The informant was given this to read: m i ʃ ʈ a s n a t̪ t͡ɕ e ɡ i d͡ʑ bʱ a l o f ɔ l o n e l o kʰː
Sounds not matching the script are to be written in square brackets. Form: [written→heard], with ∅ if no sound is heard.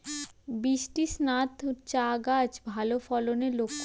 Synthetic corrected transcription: [m→b] i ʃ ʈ [a→i] s n a t̪ t͡ɕ [e→a] ɡ [i→a] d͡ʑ bʱ a l o f ɔ l o n e l o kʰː

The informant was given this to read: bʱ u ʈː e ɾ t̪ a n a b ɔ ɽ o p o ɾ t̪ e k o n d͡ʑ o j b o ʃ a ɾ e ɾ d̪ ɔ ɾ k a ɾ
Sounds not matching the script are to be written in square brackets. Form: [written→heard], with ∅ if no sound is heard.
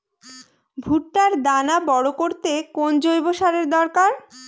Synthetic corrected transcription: bʱ u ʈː [e→a] ɾ [t̪→d̪] a n a b ɔ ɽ o [p→k] o ɾ t̪ e k o n d͡ʑ o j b o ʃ a ɾ e ɾ d̪ ɔ ɾ k a ɾ

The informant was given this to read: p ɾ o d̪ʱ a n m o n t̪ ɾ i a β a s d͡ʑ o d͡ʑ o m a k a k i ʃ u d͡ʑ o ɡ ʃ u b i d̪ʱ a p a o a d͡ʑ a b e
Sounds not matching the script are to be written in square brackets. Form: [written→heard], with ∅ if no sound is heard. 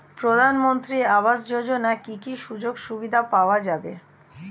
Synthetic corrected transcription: p ɾ o d̪ʱ a n m o n t̪ ɾ i a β a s d͡ʑ o d͡ʑ o [m→n] a k [a→i] k i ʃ u d͡ʑ o ɡ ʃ u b i d̪ʱ a p a o a d͡ʑ a b e

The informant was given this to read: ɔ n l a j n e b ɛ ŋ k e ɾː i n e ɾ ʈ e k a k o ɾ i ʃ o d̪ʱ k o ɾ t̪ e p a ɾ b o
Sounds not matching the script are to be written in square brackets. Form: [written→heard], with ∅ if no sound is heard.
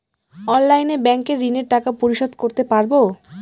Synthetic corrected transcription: ɔ n l a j n e b ɛ ŋ k e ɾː i n e ɾ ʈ [e→a] k a [k→p] o ɾ i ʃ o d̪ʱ k o ɾ t̪ e p a ɾ b o

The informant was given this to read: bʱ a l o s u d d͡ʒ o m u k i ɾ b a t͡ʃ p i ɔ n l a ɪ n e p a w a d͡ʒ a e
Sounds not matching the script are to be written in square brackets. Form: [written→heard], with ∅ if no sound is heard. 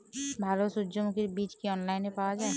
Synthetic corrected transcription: bʱ a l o s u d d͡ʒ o m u k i ɾ b [a→i] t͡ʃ [p→k] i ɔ n l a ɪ n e p a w a d͡ʒ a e

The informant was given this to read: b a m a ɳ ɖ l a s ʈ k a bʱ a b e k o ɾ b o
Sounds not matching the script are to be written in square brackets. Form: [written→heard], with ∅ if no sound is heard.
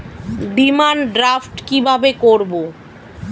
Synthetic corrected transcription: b [a→i] m a [ɳ→n] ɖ [l→ɾ] a [s→f] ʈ k [a→i] bʱ a b e k o ɾ b o

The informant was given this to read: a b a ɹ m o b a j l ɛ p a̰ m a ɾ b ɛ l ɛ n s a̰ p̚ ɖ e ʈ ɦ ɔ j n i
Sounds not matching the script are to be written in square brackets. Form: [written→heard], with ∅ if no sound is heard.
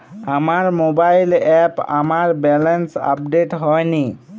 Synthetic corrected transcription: a [b→m] a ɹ m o b a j l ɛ p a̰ m a [ɾ→ɹ] b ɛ l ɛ n s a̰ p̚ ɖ e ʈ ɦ ɔ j n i

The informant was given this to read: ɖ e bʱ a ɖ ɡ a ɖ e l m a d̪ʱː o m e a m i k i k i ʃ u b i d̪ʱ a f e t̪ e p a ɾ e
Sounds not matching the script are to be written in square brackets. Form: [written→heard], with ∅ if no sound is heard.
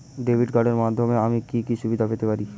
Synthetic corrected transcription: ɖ e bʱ [a→i] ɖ ɡ a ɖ e [l→ɾ] m a d̪ʱː o m e a m i k i k i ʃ u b i d̪ʱ a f e t̪ e p a ɾ [e→i]

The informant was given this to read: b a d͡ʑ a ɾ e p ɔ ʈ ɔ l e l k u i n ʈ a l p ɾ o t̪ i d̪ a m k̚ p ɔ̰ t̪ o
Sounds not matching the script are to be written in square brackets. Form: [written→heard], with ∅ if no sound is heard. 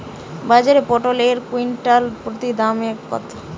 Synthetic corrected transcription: b a d͡ʑ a ɾ e p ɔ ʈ [ɔ→o] l e [l→ɾ] k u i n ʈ a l p ɾ o t̪ i d̪ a m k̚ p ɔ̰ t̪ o

